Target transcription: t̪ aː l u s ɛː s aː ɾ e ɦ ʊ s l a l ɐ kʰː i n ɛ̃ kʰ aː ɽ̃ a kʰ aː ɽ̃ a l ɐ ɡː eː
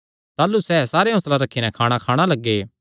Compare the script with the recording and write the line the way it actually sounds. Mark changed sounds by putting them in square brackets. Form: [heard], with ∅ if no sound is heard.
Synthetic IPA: t̪ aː l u s ɛː s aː ɾ e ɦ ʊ s l a [ɾ] ɐ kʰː i n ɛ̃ kʰ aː ɽ̃ a kʰ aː ɽ̃ a l ɐ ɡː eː